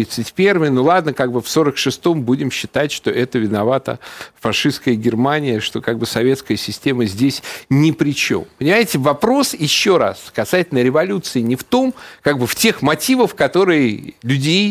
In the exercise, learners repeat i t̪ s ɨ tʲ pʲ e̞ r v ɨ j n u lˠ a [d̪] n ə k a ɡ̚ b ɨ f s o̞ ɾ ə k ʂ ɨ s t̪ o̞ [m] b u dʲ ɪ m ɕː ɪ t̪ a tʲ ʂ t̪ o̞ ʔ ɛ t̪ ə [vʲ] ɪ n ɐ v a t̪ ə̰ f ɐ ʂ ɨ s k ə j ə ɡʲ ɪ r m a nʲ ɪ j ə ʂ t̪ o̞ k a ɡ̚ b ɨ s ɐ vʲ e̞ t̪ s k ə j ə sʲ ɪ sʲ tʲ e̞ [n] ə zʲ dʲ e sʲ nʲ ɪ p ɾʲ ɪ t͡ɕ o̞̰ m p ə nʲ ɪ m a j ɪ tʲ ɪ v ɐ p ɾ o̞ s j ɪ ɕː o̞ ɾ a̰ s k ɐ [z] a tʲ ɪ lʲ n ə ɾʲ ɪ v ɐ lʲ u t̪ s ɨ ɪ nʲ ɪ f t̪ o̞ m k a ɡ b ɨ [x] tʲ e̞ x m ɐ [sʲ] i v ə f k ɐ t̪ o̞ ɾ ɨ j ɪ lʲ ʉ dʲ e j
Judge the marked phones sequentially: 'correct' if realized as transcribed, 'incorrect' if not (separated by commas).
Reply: correct, correct, correct, incorrect, incorrect, incorrect, incorrect